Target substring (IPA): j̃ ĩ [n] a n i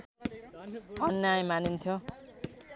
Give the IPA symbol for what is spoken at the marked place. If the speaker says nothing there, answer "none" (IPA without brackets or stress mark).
m